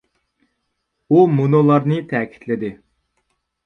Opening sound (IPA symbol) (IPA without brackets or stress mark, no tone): u